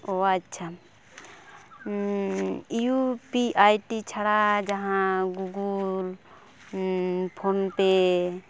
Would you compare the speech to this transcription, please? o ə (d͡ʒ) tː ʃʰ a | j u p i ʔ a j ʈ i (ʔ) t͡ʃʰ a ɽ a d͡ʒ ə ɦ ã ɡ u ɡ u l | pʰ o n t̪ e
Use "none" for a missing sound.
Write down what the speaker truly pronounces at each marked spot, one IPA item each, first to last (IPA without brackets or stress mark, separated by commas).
none, none